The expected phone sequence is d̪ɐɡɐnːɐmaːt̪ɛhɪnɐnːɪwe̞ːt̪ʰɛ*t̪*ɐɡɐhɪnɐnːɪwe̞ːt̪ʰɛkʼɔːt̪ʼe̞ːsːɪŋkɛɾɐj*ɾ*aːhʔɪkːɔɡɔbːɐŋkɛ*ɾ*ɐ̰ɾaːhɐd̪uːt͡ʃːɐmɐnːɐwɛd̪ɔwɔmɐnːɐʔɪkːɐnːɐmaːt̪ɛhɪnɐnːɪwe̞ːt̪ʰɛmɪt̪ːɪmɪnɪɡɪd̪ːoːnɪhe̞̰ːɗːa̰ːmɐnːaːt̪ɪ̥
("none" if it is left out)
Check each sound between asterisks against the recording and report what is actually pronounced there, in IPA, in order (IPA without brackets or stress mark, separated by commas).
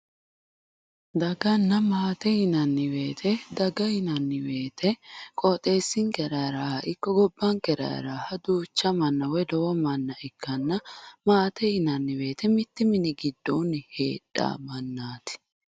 d̪, ɾ, ɾ